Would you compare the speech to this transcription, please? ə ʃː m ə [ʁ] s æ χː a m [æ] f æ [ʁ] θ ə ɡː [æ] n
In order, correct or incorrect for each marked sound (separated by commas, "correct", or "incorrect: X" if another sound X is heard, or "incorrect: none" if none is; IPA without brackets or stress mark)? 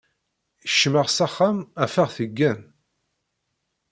correct, correct, correct, correct